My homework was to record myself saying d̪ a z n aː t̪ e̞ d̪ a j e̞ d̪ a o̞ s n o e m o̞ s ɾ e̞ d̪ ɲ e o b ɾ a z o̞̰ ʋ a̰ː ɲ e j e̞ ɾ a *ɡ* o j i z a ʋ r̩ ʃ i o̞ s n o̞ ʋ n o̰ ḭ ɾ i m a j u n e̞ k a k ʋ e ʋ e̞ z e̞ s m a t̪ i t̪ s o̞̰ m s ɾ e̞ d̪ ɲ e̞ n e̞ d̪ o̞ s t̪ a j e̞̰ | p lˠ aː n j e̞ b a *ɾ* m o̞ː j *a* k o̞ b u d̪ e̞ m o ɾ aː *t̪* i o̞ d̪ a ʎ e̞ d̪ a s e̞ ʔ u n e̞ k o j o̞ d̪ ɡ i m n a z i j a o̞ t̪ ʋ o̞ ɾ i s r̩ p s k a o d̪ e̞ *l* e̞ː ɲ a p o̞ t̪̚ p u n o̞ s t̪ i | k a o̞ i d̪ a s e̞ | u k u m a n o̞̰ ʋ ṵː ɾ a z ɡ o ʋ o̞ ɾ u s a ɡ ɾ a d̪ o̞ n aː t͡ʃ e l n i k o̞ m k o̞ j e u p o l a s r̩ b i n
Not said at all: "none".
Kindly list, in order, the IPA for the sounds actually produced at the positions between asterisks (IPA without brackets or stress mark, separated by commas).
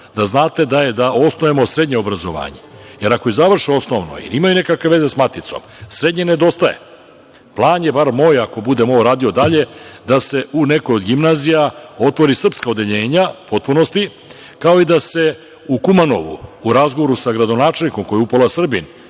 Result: k, ɾ, a, d̪, ʎ